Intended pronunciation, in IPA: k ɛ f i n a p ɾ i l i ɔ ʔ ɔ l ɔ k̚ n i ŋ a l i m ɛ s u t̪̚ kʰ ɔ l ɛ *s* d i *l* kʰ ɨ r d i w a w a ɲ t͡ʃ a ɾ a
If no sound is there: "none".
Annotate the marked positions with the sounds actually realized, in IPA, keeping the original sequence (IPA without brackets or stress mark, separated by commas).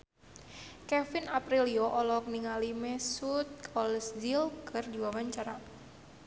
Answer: s, l